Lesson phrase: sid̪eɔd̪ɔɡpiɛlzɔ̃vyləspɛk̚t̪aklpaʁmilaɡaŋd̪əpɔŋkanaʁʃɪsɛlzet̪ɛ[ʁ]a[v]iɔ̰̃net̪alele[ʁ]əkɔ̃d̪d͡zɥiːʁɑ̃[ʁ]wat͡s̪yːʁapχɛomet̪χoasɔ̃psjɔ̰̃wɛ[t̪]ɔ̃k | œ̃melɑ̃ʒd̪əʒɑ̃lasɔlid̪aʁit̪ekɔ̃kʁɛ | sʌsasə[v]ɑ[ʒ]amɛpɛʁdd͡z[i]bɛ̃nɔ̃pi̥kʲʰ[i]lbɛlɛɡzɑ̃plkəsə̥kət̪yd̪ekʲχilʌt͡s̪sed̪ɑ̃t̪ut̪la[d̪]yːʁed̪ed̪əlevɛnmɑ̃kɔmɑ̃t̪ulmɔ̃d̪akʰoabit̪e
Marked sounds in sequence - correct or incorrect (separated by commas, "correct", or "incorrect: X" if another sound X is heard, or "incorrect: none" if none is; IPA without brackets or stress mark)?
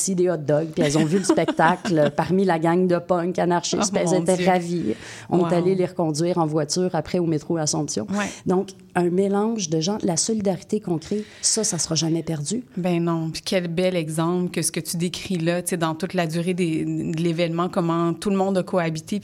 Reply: correct, correct, correct, incorrect: v, incorrect: d̪, incorrect: ʁ, correct, incorrect: y, incorrect: ɛ, correct